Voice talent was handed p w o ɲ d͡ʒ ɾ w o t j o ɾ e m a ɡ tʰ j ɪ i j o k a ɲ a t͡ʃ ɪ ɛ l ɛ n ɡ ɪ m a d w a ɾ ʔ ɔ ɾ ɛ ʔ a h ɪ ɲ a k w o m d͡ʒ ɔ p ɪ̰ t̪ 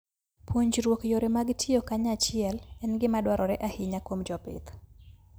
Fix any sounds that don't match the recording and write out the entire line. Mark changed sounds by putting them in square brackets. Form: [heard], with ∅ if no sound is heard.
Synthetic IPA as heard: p w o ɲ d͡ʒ ɾ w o [k] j o ɾ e m a ɡ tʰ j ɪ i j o k a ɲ a t͡ʃ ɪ ɛ l ɛ n ɡ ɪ m a d w a ɾ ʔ ɔ ɾ ɛ ʔ a h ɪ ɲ a k w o m d͡ʒ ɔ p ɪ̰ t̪